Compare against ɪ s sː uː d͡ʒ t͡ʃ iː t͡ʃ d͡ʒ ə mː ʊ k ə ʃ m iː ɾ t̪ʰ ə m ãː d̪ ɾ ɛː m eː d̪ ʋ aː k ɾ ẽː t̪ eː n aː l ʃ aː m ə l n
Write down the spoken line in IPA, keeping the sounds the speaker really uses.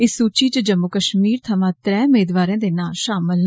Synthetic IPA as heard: ɪ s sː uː t͡ʃ iː t͡ʃ d͡ʒ ə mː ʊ k ə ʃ m iː ɾ t̪ʰ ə m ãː t̪ ɾ ɛː m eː d̪ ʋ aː ɾ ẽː d̪ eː n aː l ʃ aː m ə l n

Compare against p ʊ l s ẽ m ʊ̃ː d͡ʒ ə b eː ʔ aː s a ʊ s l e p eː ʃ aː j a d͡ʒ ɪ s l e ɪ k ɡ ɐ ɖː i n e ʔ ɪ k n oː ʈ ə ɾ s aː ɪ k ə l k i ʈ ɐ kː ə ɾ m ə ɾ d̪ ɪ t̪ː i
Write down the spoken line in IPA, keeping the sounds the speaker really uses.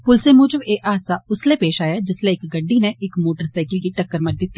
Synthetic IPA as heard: p ʊ l s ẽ m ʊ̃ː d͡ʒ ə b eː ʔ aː s a ʊ s l e p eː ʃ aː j a d͡ʒ ɪ s l e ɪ k ɡ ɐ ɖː i n e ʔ ɪ k m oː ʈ ə ɾ s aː ɪ k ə l k i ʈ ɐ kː ə ɾ m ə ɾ d̪ ɪ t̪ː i

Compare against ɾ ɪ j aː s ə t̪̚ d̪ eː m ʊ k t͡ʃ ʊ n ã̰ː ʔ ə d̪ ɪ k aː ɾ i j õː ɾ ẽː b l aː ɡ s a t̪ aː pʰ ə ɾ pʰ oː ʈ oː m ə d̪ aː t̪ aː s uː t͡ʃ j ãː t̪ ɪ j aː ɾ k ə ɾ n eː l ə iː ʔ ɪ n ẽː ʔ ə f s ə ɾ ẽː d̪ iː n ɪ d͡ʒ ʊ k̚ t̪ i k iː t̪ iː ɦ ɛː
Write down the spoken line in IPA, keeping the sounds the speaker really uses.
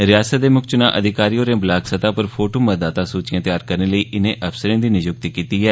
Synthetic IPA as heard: ɾ ɪ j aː s ə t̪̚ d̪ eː m ʊ k t͡ʃ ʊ n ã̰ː ʔ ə d̪ ɪ k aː ɾ i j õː ɾ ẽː b l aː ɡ s ə t̪ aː p ə ɾ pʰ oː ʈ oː m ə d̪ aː t̪ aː s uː t͡ʃ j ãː t̪ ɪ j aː ɾ k ə ɾ n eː l ə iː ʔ ɪ n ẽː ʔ ə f s ə ɾ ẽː d̪ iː n ɪ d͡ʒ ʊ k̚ t̪ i k iː t̪ iː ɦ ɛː

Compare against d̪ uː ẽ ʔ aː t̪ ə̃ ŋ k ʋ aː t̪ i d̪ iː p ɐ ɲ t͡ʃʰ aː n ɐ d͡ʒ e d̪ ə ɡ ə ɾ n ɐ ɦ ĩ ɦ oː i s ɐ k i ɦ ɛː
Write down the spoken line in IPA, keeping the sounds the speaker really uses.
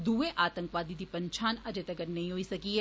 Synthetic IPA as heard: d̪ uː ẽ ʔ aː t̪ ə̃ ŋ k ʋ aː d̪ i d̪ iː p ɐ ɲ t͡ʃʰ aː n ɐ d͡ʒ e t̪ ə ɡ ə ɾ n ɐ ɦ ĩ ɦ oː i s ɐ k i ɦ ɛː

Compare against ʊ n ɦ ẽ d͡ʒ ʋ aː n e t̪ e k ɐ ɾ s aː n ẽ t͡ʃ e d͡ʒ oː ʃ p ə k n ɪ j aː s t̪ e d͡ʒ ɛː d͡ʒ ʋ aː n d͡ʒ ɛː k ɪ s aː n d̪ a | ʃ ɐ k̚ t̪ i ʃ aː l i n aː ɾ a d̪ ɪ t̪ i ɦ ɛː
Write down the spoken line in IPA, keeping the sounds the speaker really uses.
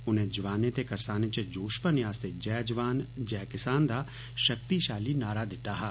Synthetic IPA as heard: ʊ n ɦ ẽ d͡ʒ ʋ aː n e t̪ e k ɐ ɾ s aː n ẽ t͡ʃ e d͡ʒ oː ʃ p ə n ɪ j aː s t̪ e d͡ʒ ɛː d͡ʒ ʋ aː n d͡ʒ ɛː k ɪ s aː n d̪ a | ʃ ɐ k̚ t̪ i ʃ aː l i n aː ɾ a d̪ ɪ t̪ a ɦ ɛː

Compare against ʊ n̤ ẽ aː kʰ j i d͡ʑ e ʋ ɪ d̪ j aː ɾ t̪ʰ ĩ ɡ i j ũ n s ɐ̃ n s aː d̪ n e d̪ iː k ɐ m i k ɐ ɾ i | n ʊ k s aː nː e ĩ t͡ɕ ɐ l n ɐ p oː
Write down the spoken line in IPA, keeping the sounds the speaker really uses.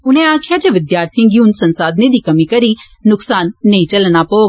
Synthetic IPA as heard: ʊ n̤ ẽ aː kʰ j a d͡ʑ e ʋ ɪ d̪ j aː ɾ t̪ʰ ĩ ɡ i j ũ n s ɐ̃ n s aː d̪ n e d̪ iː k ɐ m i k ɐ ɾ i | n ʊ k s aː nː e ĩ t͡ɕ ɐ l n a p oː

